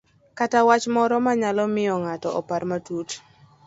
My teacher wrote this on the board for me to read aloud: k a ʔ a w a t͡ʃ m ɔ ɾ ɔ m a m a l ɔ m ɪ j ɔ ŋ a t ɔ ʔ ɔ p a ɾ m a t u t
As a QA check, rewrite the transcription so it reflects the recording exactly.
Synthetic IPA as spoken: k a t a w a t͡ʃ m ɔ ɾ ɔ m a ɲ a l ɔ m ɪ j ɔ ŋ a t ɔ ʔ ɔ p a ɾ m a t u t

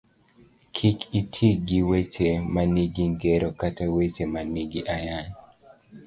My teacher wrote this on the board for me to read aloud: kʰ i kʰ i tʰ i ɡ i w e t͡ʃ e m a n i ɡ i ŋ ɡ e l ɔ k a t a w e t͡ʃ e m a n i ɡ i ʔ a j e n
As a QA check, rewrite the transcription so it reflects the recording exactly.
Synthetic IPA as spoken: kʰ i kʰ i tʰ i ɡ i w e t͡ʃ e m a n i ɡ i ŋ ɡ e ɾ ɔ k a t a w e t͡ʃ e m a n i ɡ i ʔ a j a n

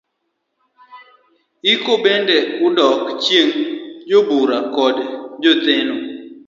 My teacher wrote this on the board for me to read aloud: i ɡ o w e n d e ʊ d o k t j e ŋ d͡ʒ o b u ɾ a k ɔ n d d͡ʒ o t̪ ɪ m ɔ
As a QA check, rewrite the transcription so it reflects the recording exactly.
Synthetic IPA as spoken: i k o b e n d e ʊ d ɔ k t͡ʃ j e ŋ d͡ʒ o b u ɾ a k ɔ d d͡ʒ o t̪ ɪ n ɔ

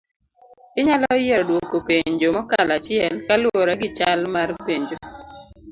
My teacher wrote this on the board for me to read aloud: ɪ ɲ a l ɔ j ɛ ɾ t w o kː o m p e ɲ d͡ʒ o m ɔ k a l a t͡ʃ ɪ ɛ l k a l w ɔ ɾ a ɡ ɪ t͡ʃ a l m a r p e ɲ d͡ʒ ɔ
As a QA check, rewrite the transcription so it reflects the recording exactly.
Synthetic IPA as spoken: ɪ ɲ a l ɔ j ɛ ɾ d w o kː o p e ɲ d͡ʒ o m ɔ k a l a t͡ʃ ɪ ɛ l k a l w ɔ ɾ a ɡ ɪ t͡ʃ a l m a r p e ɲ d͡ʒ o

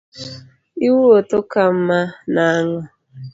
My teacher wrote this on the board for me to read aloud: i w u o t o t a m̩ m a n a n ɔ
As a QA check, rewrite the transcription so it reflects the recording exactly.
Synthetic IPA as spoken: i w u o t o k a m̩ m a n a ŋ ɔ

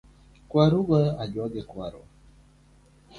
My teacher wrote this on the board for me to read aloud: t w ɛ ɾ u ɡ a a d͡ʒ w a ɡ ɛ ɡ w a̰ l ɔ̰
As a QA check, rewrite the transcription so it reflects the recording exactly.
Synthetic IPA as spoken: k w a ɾ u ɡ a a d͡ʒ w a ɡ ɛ k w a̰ ɾ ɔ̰

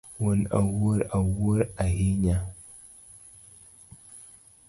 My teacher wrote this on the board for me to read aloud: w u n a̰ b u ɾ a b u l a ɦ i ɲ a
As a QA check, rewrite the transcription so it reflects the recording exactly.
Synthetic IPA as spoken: w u n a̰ w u ɾ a w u ɾ a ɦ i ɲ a

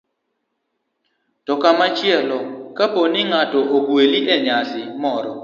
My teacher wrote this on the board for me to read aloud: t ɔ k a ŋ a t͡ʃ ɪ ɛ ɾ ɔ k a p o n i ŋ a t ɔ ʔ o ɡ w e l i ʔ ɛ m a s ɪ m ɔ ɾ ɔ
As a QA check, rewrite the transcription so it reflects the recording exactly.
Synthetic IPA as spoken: t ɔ k a m a t͡ʃ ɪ ɛ l ɔ k a p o n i ŋ a t ɔ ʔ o ɡ w e l i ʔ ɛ ɲ a s ɪ m ɔ ɾ ɔ

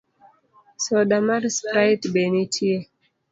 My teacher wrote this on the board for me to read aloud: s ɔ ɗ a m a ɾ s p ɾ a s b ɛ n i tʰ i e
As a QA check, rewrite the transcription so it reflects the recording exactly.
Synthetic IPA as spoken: s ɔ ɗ a m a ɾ s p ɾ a t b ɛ n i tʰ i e

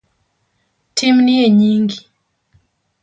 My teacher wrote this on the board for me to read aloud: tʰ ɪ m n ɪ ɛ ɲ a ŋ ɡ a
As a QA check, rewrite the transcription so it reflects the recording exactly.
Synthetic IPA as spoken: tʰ i m n i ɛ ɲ i ŋ ɡ i

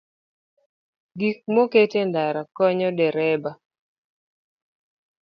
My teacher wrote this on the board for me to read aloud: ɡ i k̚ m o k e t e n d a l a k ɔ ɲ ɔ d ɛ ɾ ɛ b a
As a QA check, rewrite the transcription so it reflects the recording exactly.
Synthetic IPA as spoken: ɡ i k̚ m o k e t e n d a ɾ a k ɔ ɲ ɔ d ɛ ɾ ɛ b a

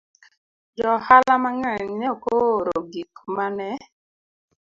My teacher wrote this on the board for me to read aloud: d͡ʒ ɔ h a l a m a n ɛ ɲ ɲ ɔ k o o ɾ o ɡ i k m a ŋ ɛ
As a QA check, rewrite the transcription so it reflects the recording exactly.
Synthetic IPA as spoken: d͡ʒ ɔ h a l a m a ŋ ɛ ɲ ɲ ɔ k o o ɾ o ɡ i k m a n ɛ

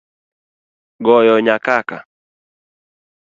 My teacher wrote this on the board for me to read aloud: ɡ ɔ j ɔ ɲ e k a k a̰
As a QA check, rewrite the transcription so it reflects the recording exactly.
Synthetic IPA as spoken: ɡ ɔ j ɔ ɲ a k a k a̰

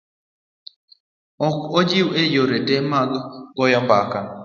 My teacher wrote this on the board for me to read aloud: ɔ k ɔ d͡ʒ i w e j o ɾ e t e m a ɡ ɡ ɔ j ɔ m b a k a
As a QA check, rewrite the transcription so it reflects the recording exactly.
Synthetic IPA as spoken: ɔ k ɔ d͡ʒ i w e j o ɾ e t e m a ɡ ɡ ɔ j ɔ m b a k a

